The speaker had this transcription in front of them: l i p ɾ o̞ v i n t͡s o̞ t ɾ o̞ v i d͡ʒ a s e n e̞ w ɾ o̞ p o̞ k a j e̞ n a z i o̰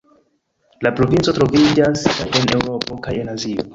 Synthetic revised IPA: l a p ɾ o̞ v i n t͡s o̞ t ɾ o̞ v i d͡ʒ a s e n e̞ w ɾ o̞ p o̞ k a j e̞ n a z i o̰